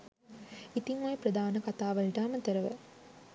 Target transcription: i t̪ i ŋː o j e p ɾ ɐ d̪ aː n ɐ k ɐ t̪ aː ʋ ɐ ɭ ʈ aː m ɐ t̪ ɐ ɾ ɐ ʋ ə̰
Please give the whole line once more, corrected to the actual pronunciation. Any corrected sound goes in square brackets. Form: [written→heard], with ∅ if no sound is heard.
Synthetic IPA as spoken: i t̪ i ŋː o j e p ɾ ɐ d̪ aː n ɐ k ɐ t̪ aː ʋ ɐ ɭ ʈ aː m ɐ t̪ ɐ ɾ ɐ ʋ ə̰